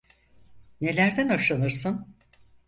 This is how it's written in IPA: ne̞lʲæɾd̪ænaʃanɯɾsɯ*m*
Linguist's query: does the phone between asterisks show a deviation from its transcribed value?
yes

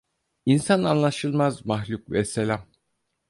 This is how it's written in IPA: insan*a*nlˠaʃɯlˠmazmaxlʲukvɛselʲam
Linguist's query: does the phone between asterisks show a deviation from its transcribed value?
no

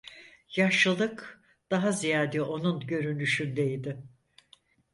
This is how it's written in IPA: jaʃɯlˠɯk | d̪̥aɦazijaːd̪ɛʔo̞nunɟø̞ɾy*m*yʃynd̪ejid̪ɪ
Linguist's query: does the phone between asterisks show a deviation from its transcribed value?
yes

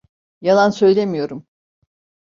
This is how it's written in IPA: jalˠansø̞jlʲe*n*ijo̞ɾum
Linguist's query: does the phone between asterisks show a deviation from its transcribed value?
yes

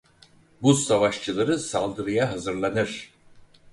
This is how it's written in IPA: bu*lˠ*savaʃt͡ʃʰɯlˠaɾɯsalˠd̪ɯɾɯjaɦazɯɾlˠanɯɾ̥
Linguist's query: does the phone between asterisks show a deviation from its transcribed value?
yes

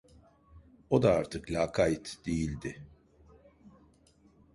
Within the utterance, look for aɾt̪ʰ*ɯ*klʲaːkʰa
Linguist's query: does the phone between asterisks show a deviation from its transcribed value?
no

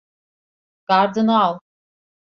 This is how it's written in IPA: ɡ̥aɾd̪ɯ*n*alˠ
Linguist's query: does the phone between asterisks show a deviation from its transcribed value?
no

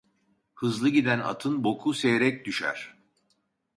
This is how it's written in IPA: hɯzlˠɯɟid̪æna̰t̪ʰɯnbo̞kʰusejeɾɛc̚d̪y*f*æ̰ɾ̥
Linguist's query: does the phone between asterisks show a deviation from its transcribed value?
yes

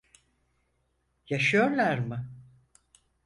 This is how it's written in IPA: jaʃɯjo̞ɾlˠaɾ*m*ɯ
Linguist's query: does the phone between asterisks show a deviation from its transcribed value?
no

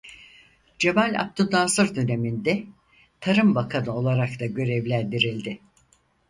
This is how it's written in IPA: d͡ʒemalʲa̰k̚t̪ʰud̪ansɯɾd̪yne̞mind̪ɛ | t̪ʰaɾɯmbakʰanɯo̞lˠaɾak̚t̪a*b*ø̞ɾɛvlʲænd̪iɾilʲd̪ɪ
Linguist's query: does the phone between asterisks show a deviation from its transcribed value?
yes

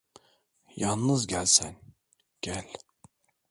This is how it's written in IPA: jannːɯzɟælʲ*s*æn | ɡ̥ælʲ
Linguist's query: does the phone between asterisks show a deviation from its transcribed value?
no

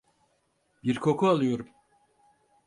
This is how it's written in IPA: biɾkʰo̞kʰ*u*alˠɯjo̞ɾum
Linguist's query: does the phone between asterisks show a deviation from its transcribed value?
no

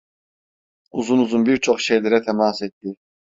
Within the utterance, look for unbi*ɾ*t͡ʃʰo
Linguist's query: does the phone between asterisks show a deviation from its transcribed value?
no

